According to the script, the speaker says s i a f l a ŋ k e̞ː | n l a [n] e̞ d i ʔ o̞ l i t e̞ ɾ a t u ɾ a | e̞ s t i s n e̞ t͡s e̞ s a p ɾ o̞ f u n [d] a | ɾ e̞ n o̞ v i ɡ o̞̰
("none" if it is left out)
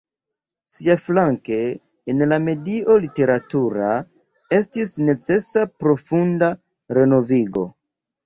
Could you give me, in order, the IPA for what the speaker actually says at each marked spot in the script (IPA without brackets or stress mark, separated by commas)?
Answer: m, d